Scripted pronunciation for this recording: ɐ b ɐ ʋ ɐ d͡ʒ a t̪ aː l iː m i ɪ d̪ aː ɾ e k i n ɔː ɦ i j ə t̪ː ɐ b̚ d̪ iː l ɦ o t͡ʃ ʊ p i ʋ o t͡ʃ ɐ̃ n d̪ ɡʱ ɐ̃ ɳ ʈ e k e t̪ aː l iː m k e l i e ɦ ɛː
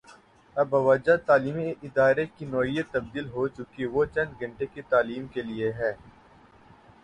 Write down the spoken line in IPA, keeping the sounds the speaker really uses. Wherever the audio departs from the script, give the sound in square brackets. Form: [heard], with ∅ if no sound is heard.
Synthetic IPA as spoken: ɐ b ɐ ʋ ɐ d͡ʒ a t̪ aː l iː m i ɪ d̪ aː ɾ e k i n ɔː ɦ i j ə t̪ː ɐ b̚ d̪ iː l ɦ o t͡ʃ ʊ [k] i ʋ o t͡ʃ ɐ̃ n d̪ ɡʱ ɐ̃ ɳ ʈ e k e t̪ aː l iː m k e l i e ɦ ɛː